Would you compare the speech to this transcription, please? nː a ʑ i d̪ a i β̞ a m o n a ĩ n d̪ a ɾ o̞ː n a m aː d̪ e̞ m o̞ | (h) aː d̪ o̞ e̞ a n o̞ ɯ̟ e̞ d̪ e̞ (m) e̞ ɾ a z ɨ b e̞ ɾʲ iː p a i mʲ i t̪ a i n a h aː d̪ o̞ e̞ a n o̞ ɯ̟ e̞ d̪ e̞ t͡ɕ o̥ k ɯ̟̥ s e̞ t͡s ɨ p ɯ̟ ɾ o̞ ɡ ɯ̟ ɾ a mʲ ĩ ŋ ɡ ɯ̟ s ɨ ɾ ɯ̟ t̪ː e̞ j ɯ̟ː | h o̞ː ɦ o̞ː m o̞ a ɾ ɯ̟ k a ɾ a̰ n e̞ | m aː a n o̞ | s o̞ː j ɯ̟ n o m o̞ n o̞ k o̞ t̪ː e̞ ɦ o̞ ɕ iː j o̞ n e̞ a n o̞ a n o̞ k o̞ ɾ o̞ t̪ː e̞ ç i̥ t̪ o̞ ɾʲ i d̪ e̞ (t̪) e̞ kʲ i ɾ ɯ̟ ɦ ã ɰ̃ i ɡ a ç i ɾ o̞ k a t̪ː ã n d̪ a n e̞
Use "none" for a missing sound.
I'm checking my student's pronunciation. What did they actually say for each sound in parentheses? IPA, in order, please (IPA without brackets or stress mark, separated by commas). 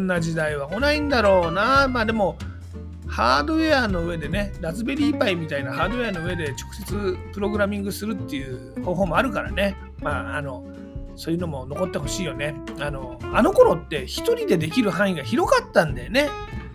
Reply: h, n, d̪